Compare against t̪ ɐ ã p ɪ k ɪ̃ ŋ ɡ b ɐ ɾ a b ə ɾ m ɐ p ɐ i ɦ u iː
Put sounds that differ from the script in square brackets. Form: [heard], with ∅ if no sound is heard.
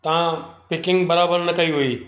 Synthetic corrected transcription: t̪ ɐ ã p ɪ k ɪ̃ ŋ ɡ b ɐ ɾ a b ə ɾ [n] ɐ [k] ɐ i ɦ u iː